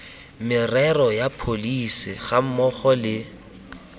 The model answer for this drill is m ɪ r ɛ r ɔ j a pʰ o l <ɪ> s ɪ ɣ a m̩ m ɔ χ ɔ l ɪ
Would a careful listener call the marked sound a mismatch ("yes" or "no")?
yes